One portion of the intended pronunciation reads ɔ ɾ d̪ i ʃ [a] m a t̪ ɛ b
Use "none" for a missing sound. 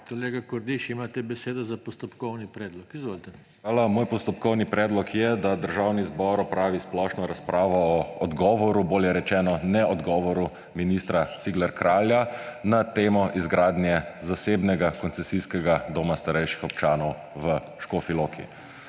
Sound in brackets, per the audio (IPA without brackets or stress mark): i